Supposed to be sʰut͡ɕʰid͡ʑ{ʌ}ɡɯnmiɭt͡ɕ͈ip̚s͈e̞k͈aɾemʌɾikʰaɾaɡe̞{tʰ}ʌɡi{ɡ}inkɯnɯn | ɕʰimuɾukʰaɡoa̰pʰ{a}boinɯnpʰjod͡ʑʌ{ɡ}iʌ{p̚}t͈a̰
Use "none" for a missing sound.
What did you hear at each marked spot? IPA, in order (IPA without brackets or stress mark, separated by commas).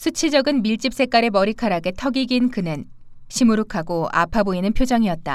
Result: ʌ, tʰ, ɡ, a, ŋ, t̚